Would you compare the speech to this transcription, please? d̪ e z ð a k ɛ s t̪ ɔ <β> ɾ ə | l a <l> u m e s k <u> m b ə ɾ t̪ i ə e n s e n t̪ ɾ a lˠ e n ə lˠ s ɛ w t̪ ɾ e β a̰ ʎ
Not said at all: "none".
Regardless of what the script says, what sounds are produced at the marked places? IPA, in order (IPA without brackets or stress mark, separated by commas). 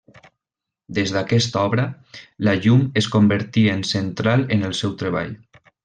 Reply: β, ʎ, o